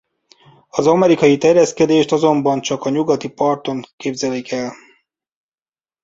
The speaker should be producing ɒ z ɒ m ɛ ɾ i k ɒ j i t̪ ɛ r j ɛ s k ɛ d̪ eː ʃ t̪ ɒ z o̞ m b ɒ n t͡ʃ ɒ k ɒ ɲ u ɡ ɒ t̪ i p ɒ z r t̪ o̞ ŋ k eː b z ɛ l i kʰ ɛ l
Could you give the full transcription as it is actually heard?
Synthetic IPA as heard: ɒ z ɒ m ɛ ɾ i k ɒ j i t̪ ɛ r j ɛ s k ɛ d̪ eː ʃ t̪ ɒ z o̞ m b ɒ n t͡ʃ ɒ k ɒ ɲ u ɡ ɒ t̪ i p ɒ r t̪ o̞ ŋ k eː b z ɛ l i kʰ ɛ l